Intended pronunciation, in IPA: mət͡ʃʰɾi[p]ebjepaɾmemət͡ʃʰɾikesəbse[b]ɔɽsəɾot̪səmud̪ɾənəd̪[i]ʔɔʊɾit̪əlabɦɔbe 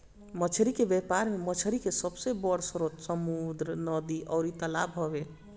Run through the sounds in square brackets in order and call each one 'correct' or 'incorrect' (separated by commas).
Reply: incorrect, correct, correct